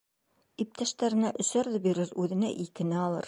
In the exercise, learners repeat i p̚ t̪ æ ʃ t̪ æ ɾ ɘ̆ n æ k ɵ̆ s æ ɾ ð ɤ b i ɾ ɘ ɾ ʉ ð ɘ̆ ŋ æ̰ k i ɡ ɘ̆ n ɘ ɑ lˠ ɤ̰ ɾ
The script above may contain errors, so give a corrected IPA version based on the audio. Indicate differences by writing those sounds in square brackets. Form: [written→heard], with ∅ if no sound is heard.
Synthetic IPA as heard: i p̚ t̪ æ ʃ t̪ æ ɾ ɘ̆ n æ [k→ʔ] ɵ̆ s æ ɾ ð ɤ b i ɾ ɘ ɾ ʉ ð ɘ̆ [ŋ→n] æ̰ [k→ʔ] i [ɡ→k] ɘ̆ n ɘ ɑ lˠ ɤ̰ ɾ